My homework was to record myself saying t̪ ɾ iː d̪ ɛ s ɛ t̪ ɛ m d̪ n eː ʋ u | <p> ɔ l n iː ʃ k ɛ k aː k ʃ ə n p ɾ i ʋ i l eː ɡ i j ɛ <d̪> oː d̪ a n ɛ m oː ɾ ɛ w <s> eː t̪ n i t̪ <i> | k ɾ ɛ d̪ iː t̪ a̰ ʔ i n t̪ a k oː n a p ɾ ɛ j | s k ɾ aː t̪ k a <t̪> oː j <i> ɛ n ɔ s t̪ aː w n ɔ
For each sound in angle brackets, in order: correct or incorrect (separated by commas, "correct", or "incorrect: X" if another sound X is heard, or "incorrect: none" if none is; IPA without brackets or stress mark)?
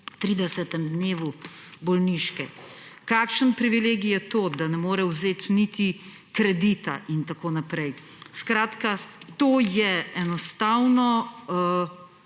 incorrect: b, incorrect: t̪, incorrect: z, correct, correct, incorrect: ɛ